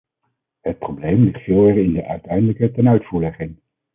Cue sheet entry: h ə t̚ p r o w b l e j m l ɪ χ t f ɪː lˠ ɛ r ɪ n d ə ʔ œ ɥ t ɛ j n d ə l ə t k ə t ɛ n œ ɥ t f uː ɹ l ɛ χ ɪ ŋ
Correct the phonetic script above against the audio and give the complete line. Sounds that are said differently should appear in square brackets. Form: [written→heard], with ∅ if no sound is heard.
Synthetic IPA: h ə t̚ p r o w b l e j m l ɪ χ t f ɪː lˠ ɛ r ɪ n d ə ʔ œ ɥ t ɛ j n d ə l ə [t→∅] k ə t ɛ n œ ɥ t f uː ɹ l ɛ χ ɪ ŋ